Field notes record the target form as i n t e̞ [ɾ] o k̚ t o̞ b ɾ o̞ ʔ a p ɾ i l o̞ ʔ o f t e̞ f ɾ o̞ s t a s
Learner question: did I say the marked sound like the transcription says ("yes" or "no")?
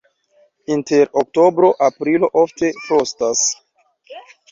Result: yes